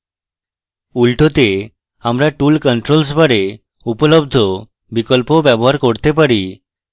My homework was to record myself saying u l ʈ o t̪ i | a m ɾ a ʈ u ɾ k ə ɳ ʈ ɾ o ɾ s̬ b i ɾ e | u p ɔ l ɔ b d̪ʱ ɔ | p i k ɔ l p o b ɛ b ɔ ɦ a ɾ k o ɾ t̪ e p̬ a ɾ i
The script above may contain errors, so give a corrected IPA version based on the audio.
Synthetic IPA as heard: u l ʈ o t̪ e | a m ɾ a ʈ u l k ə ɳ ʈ ɾ o l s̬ b a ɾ e | u p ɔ l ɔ b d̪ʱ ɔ | b i k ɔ l p o b ɛ b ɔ ɦ a ɾ k o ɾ t̪ e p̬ a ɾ i